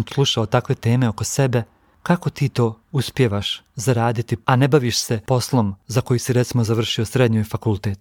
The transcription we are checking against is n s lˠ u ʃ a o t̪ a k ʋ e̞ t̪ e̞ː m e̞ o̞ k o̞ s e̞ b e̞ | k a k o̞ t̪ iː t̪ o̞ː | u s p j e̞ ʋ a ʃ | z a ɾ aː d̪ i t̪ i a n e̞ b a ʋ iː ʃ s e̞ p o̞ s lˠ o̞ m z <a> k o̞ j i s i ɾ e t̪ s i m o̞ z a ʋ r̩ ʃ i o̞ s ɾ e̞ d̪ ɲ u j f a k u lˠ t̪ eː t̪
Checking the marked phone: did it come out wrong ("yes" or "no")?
no